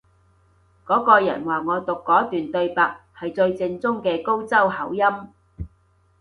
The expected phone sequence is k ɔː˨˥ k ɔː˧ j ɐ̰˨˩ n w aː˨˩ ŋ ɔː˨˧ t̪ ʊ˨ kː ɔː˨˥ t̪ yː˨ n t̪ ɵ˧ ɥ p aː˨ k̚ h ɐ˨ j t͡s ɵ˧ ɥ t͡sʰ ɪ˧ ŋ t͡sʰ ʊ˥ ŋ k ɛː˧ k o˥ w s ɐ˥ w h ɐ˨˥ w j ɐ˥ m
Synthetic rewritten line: k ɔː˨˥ k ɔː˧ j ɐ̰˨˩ n w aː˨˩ ŋ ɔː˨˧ t̪ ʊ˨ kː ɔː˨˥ t̪ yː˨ n t̪ ɵ˧ ɥ p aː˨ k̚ h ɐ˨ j t͡s ɵ˧ ɥ t͡s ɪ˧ ŋ t͡s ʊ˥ ŋ k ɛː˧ k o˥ w t͡s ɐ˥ w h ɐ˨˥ w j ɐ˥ m